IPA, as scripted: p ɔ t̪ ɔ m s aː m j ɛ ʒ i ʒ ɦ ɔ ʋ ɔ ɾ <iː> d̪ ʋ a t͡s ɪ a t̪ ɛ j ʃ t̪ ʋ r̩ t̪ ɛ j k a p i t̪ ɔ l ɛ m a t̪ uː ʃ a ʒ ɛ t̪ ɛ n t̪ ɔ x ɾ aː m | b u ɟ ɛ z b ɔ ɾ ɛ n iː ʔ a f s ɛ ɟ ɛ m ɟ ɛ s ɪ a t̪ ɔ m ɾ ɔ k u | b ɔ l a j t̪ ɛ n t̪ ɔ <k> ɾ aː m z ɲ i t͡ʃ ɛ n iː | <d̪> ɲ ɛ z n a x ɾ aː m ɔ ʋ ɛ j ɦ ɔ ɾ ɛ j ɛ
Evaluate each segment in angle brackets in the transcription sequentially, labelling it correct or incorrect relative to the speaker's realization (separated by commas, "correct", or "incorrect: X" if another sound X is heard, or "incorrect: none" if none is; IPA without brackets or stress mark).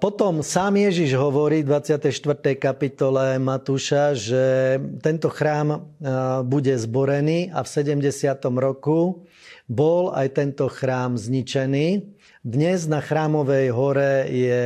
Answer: correct, incorrect: x, correct